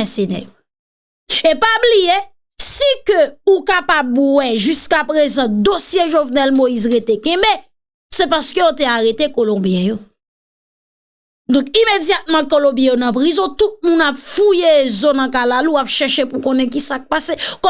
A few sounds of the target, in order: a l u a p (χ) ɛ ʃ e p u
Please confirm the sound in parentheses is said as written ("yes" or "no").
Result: no